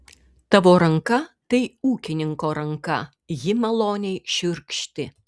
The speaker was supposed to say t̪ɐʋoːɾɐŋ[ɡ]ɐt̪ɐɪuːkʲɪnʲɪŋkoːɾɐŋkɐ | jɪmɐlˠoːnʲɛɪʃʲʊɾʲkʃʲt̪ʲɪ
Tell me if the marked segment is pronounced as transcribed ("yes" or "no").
no